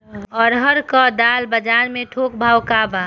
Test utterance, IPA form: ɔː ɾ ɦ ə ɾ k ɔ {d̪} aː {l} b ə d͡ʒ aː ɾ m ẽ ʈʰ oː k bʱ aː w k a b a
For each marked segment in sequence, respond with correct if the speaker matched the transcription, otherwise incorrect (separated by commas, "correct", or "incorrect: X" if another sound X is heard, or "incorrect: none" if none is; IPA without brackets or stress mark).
correct, correct